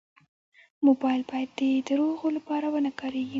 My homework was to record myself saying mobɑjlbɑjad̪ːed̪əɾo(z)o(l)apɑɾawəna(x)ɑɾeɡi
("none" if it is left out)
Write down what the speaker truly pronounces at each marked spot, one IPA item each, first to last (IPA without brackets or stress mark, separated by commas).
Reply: ɣ, l, k